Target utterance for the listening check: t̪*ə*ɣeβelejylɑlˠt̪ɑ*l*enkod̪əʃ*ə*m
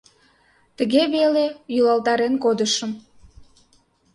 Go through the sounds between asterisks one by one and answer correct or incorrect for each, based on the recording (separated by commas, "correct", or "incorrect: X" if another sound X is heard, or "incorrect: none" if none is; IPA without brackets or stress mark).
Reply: correct, incorrect: ɾ, correct